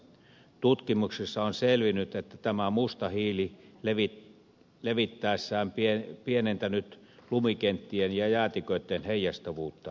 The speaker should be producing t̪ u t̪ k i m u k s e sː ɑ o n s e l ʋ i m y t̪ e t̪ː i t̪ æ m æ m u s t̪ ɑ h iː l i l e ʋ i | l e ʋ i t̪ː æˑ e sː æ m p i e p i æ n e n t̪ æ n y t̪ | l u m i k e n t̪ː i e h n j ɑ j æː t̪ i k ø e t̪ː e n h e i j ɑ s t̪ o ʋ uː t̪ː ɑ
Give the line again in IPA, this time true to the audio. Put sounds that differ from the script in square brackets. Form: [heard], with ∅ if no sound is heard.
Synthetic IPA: t̪ u t̪ k i m u k s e sː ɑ o n s e l ʋ i [n] y t̪ e t̪ː [æ] t̪ æ m æ m u s t̪ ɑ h iː l i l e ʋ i | l e ʋ i t̪ː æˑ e sː [æː] m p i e p i [e] n e n t̪ æ n y t̪ | l u m i k e n t̪ː i e [∅] n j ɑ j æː t̪ i k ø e t̪ː e n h e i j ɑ s t̪ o ʋ uː t̪ː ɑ